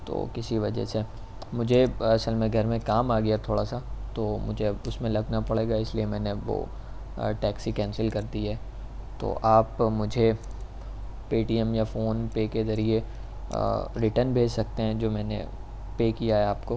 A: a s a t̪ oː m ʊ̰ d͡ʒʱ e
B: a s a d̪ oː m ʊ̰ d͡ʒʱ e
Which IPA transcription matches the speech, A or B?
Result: A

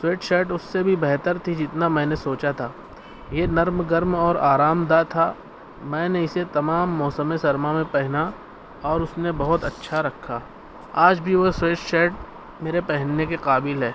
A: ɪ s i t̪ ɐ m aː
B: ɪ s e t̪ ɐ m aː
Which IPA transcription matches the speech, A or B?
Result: B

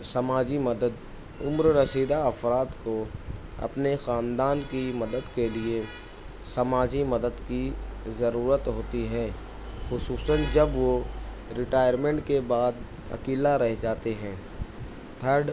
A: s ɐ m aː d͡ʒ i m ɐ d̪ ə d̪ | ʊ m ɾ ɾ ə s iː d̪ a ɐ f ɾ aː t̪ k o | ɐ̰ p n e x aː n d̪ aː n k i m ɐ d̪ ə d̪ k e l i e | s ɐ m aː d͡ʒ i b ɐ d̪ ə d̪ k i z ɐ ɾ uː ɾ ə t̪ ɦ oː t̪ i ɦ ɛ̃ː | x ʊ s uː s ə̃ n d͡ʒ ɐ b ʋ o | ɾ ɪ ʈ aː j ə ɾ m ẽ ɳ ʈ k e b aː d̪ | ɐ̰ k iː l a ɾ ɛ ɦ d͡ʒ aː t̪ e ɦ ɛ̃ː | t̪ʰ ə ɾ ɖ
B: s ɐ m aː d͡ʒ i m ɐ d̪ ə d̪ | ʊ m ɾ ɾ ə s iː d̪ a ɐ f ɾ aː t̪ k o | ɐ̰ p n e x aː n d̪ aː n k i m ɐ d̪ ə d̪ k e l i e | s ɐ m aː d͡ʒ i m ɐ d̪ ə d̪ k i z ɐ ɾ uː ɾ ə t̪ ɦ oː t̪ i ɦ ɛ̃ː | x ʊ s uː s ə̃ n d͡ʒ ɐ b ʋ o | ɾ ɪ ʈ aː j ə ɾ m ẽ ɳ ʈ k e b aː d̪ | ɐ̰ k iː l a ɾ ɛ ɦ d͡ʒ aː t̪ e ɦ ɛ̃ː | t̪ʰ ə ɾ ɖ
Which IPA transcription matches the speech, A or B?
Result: B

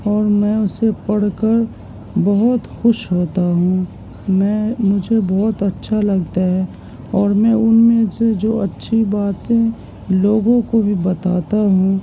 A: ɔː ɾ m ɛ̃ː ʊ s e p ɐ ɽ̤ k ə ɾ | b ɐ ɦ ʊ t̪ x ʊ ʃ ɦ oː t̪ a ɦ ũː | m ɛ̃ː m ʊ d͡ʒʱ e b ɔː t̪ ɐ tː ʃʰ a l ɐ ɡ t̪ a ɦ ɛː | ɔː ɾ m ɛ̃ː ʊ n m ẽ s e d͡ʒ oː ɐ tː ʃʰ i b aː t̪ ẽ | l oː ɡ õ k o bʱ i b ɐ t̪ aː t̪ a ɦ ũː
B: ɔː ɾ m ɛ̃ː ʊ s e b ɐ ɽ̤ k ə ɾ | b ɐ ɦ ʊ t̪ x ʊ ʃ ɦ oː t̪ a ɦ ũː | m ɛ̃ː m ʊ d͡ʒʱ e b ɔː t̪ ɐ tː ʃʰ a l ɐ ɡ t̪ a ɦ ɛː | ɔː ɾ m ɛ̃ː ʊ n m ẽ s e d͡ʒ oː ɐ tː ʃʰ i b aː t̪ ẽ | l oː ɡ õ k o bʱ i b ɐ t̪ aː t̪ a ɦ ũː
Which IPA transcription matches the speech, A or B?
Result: A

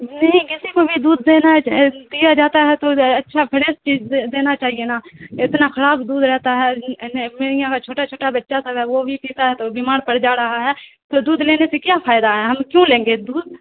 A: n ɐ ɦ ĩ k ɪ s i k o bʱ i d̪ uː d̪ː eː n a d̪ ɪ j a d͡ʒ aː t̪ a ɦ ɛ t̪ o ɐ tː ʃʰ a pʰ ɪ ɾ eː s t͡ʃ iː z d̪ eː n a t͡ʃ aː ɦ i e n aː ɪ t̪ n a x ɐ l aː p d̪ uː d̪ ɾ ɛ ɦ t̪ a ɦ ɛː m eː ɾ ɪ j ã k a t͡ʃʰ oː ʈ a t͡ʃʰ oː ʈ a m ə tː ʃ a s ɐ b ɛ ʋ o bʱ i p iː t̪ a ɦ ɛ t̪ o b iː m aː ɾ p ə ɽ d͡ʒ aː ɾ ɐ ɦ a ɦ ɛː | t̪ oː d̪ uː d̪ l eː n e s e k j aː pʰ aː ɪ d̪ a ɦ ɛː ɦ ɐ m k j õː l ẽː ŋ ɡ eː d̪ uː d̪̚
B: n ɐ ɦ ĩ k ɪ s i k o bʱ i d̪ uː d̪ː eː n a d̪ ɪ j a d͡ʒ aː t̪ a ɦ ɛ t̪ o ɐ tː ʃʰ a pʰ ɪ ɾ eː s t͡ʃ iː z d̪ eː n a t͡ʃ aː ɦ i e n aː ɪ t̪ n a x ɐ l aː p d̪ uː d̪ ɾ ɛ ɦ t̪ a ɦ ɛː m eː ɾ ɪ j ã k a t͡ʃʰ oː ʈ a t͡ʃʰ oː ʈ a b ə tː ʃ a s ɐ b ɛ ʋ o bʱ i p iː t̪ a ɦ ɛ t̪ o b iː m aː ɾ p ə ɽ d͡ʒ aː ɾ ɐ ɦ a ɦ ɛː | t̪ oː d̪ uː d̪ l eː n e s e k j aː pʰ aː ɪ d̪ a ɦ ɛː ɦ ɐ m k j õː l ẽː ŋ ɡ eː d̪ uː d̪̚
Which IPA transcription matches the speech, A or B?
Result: B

